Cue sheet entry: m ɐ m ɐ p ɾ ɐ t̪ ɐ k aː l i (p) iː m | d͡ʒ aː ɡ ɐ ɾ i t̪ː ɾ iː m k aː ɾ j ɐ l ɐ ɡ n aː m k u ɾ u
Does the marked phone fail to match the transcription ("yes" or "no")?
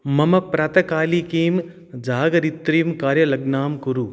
yes